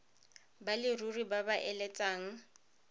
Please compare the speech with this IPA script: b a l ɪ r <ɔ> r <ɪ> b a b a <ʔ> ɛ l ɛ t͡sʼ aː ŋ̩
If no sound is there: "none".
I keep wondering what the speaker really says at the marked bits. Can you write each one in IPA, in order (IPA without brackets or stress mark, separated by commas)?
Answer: u, i, ʔ